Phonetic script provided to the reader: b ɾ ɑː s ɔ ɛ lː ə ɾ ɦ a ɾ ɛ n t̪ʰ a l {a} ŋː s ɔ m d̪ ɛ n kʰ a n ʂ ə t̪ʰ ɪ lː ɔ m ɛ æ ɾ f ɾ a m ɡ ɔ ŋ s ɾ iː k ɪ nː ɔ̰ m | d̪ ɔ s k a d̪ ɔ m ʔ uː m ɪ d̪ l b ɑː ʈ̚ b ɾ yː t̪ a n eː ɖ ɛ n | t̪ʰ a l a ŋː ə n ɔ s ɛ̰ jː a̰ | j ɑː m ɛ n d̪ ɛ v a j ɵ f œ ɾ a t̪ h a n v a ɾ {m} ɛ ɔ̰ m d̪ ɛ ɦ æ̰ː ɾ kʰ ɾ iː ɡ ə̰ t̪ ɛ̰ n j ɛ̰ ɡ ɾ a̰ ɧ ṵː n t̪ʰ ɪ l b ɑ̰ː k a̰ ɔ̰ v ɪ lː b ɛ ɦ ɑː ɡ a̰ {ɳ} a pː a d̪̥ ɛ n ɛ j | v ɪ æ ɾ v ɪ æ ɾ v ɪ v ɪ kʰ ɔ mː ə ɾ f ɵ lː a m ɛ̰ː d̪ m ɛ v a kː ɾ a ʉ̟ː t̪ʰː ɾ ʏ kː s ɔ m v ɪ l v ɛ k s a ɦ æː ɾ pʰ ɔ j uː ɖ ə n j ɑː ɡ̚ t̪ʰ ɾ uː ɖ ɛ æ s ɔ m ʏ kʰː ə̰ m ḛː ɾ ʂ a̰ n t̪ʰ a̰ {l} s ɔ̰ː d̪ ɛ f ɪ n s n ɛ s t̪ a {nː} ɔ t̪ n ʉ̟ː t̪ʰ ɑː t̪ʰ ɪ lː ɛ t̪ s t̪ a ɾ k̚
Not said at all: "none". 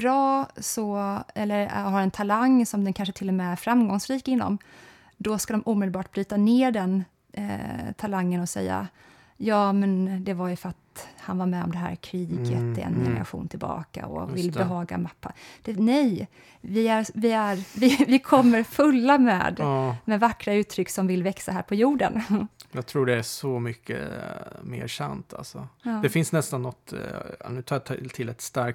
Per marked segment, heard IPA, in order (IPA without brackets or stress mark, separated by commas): a, m, m, l, nː